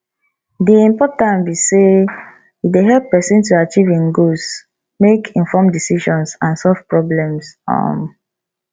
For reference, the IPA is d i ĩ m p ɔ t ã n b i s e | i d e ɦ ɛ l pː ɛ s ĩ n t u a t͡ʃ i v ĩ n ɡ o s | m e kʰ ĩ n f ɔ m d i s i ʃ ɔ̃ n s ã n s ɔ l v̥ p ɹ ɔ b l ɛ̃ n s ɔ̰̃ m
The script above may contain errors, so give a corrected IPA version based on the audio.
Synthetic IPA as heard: d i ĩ m p ɔ t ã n b i s e | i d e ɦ ɛ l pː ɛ s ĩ n t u a t͡ʃ i v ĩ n ɡ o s | m e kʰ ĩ n f ɔ m d i s i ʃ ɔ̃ n s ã n s ɔ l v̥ p ɹ ɔ b l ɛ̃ m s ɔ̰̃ m

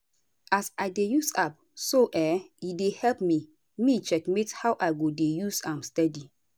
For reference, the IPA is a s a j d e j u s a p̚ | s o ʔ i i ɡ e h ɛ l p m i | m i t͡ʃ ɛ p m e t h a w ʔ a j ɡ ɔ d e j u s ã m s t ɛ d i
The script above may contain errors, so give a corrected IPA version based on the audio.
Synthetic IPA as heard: a s a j d e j u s a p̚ | s o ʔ ɛ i d e h ɛ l p m i | m i t͡ʃ ɛ k m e t h a w ʔ a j ɡ o d e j u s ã m s t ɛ d i

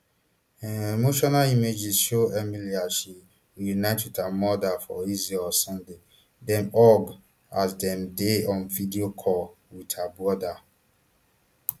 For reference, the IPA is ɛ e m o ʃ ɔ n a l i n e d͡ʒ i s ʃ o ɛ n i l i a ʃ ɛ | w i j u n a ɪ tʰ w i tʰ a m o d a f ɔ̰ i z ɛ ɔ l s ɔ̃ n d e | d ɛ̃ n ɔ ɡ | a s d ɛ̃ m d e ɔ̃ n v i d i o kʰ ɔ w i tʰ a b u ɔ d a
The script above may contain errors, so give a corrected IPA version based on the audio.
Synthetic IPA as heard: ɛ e m o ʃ ɔ n a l i m e d͡ʒ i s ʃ o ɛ m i l i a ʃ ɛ | w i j u n a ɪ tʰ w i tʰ a m ɔ d a f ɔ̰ i z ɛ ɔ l s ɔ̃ n d e | d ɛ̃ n ɔ ɡ | a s d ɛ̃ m d e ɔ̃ n v i d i o kʰ ɔ w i tʰ a b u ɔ d a

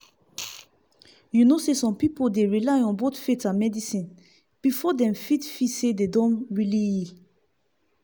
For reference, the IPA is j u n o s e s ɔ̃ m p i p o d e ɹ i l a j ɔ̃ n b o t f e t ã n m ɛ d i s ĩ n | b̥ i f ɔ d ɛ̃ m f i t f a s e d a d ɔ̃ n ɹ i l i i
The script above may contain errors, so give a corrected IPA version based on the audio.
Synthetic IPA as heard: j u n o s e s ɔ̃ m p i p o d e ɹ i l a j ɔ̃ n b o t f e t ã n m ɛ d i s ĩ n | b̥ i f ɔ d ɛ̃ m f i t f i s e d e d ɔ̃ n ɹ i l i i

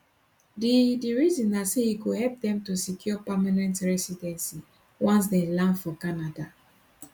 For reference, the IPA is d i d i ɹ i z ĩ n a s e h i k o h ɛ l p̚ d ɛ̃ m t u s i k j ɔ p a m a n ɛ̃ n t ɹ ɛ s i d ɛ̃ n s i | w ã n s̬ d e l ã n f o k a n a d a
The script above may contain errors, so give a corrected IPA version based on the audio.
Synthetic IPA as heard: d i d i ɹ i z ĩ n a s e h i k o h ɛ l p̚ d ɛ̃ m t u s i k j ɔ p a m a n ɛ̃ n t ɹ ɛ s i d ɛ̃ n s i | w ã n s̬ d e l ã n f ɔ k a n a d a

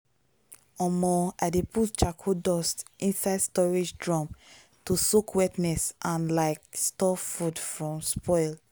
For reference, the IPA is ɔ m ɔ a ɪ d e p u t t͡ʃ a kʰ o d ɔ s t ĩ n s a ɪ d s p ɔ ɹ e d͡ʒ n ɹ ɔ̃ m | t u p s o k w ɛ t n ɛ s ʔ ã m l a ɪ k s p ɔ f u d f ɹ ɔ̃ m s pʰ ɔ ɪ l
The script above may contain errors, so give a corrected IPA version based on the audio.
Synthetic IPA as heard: ɔ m ɔ a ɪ d e p u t t͡ʃ a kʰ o d ɔ s t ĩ n s a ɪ d s t ɔ ɹ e d͡ʒ d ɹ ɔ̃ m | t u s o k w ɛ t n ɛ s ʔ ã n l a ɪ k s t ɔ f u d f ɹ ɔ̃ m s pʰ ɔ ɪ l

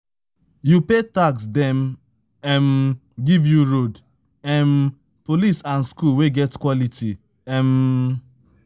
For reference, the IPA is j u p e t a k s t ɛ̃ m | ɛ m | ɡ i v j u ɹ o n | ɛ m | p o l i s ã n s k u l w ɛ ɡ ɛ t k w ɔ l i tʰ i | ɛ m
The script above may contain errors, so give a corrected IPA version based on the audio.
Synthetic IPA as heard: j u p e t a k s d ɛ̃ m | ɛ m | ɡ i v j u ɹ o d | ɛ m | p o l i s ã n s k u l w e ɡ ɛ t k w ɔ l i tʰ i | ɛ m

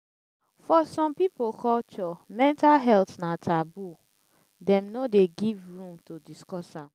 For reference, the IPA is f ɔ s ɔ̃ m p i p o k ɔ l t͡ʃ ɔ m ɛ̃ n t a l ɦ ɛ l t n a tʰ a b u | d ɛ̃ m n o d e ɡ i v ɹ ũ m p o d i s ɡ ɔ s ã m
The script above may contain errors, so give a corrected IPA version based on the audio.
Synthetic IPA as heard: f ɔ s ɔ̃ m p i p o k ɔ l t͡ʃ ɔ m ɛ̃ n t a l ɦ ɛ l t n a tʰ a b u | d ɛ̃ m n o d e ɡ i v ɹ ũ m t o d i s k ɔ s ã m

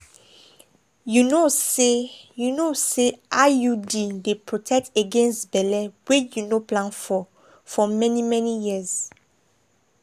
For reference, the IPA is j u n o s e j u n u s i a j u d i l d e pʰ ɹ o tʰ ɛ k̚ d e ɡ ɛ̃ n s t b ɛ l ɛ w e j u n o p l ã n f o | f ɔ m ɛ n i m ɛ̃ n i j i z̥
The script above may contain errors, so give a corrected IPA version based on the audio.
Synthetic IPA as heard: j u n o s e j u n o s e a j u d i d e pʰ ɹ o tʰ ɛ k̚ t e ɡ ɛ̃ n s t b ɛ l ɛ w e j u n o p l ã n f ɔ | f ɔ m ɛ n i m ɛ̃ n i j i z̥

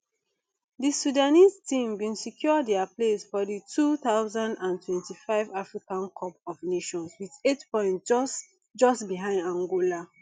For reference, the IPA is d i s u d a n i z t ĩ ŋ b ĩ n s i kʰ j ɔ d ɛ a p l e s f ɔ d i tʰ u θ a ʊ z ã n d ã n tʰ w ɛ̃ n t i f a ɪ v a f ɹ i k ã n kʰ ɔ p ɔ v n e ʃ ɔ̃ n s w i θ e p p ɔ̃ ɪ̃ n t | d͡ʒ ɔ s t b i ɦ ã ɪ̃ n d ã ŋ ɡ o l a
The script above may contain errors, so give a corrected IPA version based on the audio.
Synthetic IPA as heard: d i s u d a n i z t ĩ m b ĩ n s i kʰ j ɔ d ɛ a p l e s f ɔ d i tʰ u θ a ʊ z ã n d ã n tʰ w ɛ̃ n t i f a ɪ v a f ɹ i k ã n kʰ ɔ p ɔ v n e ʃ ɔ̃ n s w i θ e t p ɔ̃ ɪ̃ n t | d͡ʒ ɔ s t b i ɦ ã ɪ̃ n d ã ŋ ɡ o l a

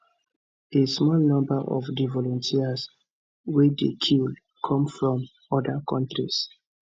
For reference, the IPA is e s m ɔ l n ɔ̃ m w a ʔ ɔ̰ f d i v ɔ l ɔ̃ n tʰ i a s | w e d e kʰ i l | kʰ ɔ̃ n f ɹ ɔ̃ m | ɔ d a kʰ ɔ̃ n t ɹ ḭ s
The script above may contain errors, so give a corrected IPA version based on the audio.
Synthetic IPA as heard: e s m ɔ l n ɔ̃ m b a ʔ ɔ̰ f d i v ɔ l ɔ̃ n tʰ i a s | w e d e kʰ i l | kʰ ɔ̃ m f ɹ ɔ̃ m | ɔ d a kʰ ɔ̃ n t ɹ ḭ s

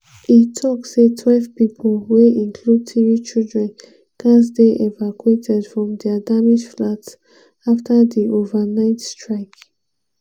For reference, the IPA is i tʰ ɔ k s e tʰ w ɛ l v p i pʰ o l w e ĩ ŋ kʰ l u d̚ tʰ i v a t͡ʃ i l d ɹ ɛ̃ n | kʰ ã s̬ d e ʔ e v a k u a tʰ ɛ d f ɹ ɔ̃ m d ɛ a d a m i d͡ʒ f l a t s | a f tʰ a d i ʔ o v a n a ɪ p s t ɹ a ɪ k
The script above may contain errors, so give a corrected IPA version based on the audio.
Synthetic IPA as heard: i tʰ ɔ k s e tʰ w ɛ l v p i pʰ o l w e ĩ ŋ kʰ l u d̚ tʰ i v i t͡ʃ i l d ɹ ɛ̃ n | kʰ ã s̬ d e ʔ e v a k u e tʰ ɛ d f ɹ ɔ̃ m d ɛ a d a m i d͡ʒ f l a t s | a f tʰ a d i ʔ o v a n a ɪ t s t ɹ a ɪ k

